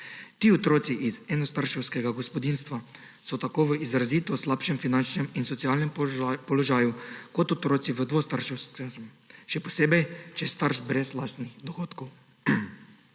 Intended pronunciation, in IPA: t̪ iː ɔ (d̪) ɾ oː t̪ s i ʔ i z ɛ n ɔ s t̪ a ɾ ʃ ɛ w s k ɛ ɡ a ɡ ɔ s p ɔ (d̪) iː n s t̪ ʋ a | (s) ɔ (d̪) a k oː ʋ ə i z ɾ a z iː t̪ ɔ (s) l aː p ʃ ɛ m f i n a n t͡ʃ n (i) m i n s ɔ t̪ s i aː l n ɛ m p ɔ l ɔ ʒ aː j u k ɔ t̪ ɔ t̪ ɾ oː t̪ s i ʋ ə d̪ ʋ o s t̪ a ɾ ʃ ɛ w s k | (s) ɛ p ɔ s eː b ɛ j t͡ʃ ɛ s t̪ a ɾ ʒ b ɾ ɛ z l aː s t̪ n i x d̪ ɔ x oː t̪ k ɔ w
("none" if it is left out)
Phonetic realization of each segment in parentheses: t̪, d̪, s, t̪, s, ɛ, ʃ

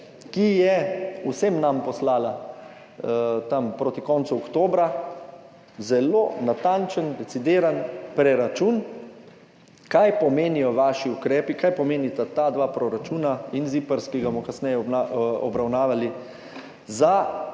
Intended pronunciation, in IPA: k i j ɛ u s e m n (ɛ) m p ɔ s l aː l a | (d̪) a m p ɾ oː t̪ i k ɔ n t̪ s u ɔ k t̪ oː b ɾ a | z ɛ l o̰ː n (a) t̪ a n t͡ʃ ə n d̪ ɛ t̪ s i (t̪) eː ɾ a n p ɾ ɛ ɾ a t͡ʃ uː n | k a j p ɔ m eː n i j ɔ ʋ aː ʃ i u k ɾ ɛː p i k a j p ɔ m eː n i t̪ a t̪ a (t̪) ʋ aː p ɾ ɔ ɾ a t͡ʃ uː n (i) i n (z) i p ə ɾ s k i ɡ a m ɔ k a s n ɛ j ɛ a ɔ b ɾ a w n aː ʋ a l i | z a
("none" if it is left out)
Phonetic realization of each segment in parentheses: a, t̪, a, d̪, d̪, a, z

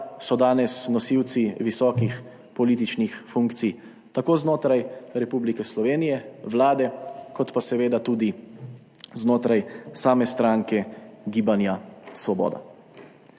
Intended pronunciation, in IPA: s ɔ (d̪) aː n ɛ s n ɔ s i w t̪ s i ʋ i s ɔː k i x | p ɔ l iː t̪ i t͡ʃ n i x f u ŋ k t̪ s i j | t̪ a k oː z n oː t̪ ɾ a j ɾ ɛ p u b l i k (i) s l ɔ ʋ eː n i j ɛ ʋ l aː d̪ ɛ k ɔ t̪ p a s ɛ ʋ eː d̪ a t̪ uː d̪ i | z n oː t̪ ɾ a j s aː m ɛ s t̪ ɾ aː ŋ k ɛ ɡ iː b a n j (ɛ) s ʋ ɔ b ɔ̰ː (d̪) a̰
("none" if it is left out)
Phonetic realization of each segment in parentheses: d̪, ɛ, a, d̪

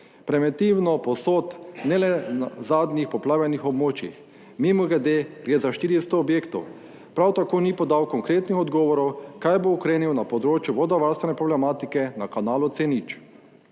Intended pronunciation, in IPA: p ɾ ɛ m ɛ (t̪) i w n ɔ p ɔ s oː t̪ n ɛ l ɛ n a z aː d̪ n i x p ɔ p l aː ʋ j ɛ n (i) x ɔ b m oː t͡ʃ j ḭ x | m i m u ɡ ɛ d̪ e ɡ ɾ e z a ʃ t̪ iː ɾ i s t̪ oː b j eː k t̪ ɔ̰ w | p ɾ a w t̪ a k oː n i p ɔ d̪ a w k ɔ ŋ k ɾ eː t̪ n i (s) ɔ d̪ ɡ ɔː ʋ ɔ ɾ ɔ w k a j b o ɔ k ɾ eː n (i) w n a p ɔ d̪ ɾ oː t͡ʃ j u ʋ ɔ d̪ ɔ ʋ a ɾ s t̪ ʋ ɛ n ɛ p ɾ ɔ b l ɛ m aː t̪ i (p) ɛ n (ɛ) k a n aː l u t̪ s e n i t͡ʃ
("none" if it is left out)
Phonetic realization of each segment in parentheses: t̪, i, x, i, k, a

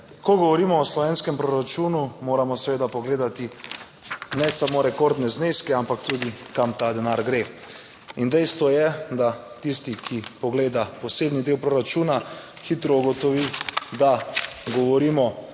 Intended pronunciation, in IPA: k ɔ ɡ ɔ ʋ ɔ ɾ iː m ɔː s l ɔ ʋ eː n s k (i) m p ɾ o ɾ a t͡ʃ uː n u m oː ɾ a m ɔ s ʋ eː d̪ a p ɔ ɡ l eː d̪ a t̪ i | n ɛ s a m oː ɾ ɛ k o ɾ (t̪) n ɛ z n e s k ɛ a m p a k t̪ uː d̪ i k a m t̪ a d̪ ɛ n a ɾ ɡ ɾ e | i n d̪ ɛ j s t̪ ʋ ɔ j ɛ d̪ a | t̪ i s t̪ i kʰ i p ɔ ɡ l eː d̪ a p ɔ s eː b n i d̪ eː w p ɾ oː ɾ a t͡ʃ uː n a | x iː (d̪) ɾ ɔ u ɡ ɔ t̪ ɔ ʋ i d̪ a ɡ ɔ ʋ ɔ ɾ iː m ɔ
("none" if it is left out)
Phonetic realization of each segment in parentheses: ɛ, d̪, t̪

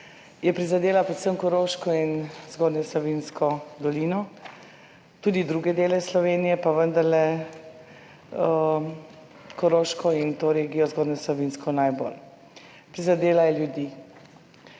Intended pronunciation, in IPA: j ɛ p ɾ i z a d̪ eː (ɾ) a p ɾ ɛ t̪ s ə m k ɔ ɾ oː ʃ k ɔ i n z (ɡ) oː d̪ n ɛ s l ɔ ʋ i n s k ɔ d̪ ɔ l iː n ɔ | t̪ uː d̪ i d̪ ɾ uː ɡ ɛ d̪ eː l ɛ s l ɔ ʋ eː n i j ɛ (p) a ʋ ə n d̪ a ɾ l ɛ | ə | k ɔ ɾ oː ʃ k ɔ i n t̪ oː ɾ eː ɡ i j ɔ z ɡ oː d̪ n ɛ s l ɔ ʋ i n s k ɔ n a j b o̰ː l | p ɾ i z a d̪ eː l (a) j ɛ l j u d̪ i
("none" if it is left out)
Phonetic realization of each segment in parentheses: l, ɡ, p, a

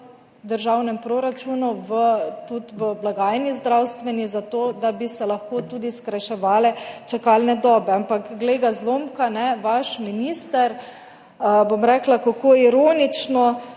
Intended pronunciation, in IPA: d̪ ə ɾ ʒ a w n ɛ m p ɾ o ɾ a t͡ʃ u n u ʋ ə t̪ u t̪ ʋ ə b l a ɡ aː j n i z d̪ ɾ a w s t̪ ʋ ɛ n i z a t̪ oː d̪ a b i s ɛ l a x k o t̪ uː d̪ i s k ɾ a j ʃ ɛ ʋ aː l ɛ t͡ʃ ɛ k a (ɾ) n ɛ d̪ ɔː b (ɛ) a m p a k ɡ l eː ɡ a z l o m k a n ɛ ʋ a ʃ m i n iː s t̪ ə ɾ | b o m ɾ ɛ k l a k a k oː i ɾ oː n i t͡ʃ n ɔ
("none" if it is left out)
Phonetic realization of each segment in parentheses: l, ɛ

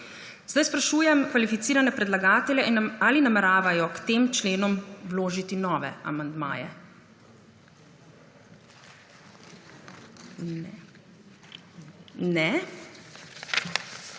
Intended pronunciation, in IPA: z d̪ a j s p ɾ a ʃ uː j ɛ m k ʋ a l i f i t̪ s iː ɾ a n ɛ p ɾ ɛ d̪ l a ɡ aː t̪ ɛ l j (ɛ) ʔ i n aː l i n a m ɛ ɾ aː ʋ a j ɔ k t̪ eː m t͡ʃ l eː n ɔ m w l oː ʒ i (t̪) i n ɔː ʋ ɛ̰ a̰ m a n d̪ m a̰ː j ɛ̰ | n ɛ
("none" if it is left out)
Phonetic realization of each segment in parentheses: ɛ, t̪

